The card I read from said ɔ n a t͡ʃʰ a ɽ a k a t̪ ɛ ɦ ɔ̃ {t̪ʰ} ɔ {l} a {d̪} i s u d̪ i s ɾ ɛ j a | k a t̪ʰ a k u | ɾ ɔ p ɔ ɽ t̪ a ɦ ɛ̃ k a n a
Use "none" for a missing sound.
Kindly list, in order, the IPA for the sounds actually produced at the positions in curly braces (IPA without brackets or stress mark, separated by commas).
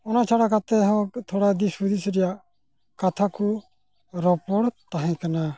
t̪ʰ, ɽ, d̪